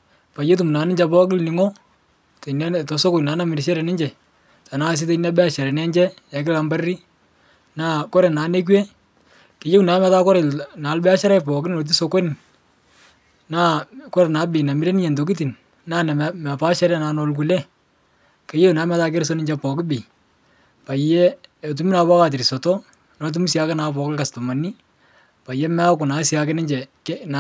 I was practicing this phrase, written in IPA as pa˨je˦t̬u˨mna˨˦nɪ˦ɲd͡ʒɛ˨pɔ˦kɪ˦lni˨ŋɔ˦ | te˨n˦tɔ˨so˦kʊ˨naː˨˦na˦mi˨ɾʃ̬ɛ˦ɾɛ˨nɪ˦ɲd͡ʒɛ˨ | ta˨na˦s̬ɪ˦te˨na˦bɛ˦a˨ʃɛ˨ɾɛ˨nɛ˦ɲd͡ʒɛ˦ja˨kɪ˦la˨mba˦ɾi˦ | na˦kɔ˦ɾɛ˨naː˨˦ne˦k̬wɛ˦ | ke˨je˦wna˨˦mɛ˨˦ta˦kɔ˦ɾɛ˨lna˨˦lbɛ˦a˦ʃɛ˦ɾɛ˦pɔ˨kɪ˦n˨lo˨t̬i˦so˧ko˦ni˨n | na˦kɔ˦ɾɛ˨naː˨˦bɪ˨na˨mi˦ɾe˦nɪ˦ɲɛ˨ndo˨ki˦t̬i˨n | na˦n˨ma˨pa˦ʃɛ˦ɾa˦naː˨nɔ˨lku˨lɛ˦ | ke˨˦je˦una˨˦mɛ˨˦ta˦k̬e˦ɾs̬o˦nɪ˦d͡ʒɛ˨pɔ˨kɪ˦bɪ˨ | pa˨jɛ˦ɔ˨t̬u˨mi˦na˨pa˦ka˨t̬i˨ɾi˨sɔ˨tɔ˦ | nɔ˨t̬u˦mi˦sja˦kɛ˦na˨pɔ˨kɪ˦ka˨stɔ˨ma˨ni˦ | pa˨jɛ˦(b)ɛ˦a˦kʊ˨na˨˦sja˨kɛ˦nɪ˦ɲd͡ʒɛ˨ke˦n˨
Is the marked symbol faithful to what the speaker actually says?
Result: no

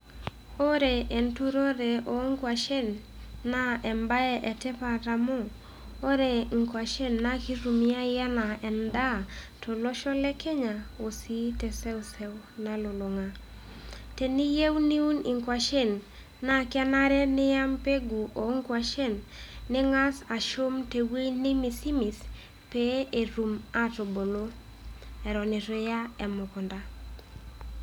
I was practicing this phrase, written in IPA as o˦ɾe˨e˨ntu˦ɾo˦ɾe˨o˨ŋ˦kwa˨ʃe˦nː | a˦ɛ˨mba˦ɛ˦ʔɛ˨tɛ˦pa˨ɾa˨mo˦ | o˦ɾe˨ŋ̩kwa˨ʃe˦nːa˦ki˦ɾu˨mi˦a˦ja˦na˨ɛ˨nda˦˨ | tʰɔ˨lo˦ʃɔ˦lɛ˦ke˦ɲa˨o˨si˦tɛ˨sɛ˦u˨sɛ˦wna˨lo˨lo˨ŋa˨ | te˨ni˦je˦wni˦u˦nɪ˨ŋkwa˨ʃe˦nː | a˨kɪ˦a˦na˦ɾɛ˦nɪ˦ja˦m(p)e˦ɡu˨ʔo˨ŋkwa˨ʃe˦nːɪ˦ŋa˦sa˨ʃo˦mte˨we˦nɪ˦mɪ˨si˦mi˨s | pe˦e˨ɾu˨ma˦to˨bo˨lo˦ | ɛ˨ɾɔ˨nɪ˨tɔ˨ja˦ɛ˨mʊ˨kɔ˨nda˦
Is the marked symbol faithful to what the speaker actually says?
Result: yes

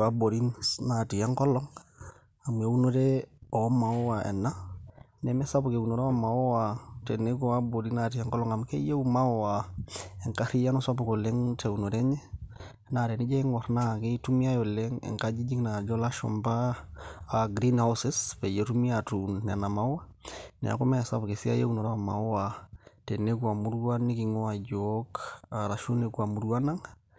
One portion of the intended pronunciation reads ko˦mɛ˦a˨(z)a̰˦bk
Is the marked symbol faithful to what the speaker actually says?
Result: no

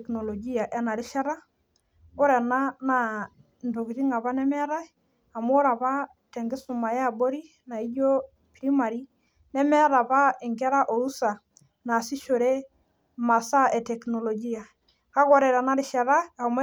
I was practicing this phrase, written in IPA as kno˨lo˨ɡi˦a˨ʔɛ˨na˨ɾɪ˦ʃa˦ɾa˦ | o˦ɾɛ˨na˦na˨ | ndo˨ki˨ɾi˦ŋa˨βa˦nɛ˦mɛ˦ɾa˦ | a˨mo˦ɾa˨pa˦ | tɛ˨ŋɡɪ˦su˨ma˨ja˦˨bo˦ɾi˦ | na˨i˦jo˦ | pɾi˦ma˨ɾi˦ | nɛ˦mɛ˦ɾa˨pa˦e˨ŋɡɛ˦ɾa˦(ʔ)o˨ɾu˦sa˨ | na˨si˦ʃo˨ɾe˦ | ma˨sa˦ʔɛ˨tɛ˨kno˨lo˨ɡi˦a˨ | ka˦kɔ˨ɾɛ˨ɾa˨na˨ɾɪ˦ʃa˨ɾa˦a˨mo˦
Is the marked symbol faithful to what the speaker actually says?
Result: yes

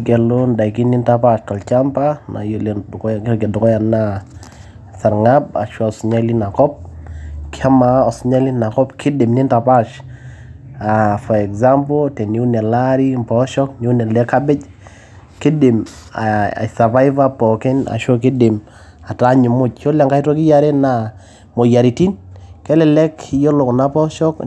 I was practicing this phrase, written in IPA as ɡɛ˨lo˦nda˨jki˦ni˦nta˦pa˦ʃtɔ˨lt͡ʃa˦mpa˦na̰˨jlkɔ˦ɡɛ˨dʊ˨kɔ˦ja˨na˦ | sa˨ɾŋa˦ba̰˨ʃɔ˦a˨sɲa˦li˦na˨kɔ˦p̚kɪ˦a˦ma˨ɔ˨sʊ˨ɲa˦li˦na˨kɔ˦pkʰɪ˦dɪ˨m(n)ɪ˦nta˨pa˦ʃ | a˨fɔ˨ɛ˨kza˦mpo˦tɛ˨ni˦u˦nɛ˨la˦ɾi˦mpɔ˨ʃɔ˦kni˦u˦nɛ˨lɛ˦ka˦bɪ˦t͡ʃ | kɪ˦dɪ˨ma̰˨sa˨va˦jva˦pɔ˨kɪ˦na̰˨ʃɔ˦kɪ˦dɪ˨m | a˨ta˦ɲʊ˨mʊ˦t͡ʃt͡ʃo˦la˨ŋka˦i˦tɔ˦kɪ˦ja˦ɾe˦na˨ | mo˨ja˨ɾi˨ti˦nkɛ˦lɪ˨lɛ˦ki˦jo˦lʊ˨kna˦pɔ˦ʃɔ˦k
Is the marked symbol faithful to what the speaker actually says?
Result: yes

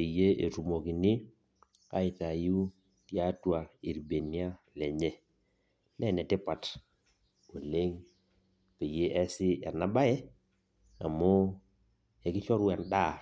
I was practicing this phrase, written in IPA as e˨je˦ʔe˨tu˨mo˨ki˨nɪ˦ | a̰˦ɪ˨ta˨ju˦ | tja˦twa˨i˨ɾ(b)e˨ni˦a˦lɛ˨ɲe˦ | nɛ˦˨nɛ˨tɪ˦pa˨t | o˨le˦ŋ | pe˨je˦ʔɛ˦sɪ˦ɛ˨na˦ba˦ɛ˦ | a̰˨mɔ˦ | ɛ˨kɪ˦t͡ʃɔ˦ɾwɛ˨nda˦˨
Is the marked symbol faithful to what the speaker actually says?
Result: yes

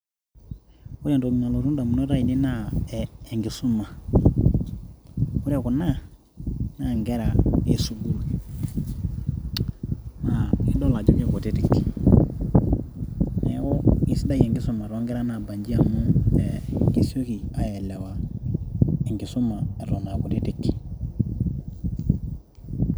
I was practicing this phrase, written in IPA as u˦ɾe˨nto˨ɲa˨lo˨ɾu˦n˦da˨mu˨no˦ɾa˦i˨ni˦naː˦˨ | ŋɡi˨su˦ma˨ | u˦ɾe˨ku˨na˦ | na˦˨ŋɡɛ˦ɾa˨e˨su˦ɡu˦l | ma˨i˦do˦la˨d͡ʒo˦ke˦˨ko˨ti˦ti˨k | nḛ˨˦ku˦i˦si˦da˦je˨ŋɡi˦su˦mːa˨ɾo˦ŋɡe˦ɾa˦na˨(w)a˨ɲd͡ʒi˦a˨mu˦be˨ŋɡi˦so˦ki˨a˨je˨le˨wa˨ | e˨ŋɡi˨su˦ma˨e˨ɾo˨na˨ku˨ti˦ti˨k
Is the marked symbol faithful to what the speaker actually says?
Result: no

